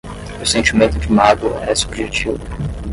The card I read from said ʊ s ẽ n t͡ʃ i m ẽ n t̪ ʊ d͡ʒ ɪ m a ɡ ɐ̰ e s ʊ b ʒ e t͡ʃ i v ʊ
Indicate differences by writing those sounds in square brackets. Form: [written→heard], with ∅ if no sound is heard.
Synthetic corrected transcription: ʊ s ẽ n t͡ʃ i m ẽ n t̪ ʊ d͡ʒ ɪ m a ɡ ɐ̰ [e→ɛ] s [ʊ→u] b ʒ e t͡ʃ i v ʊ